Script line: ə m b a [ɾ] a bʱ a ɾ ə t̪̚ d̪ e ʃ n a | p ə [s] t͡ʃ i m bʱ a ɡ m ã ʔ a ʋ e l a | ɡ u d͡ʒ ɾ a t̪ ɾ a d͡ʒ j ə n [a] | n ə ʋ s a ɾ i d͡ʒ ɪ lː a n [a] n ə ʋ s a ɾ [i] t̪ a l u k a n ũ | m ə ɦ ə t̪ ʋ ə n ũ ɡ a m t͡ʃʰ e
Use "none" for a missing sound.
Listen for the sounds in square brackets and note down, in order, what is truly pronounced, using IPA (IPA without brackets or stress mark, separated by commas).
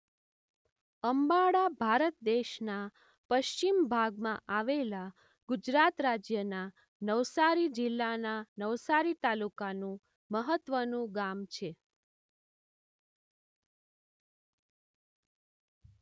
ɽ, ʃ, a, a, i